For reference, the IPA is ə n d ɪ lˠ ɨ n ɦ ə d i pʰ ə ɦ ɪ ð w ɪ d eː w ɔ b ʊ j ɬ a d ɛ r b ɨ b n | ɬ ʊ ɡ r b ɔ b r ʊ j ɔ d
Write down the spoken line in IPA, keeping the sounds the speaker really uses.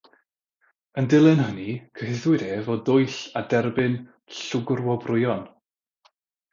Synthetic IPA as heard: ə n d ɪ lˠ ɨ n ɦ ə n i kʰ ə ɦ ɪ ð w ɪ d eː v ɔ d ʊ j ɬ a d ɛ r b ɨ n | ɬ ʊ ɡ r w ɔ b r ʊ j ɔ n